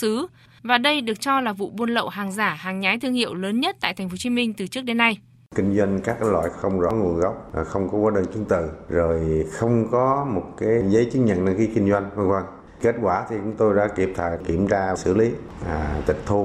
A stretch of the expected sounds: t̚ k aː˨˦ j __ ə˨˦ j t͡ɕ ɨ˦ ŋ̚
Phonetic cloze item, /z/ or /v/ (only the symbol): z